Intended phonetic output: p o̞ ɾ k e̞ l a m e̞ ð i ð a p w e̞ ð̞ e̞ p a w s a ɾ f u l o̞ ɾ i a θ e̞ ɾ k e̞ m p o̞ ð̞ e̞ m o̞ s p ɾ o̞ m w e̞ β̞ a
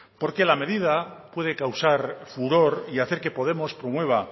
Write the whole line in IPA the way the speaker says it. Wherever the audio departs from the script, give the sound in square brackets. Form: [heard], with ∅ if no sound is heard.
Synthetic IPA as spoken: p o̞ ɾ k e̞ l a m e̞ ð i ð a p w e̞ ð̞ e̞ [k] a w s a ɾ f u [ɾ] o̞ ɾ i a θ e̞ ɾ k e̞ [∅] p o̞ ð̞ e̞ m o̞ s p ɾ o̞ m w e̞ β̞ a